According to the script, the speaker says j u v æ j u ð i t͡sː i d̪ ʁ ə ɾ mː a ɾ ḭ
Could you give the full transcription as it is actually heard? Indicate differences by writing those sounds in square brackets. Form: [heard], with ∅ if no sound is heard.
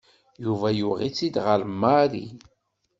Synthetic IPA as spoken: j u v æ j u [ʁ] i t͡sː i d̪ ʁ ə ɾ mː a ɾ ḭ